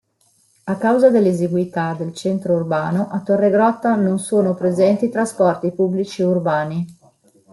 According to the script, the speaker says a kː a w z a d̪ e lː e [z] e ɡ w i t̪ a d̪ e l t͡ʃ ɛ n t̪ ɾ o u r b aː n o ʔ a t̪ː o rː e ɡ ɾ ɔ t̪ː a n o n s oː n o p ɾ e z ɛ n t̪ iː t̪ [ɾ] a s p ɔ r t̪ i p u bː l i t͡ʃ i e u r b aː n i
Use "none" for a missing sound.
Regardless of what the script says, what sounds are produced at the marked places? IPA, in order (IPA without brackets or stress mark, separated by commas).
z, ɾ